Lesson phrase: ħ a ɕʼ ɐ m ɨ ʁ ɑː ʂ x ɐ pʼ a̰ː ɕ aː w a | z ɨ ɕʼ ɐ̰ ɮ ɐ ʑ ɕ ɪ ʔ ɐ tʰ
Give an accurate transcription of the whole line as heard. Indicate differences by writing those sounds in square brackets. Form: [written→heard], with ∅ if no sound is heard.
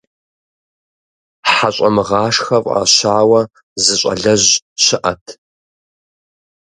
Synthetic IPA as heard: ħ a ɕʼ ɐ m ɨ ʁ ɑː ʂ x ɐ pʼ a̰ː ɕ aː w [a→ɐ] | z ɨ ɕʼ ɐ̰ ɮ ɐ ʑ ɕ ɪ ʔ ɐ tʰ